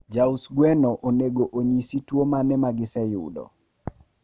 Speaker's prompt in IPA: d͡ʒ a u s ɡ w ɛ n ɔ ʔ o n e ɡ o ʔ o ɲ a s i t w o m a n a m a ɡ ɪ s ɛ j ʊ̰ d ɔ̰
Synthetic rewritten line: d͡ʒ a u s ɡ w ɛ n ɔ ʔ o n e ɡ o ʔ o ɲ i s i t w o m a n ɛ m a ɡ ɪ s ɛ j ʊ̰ d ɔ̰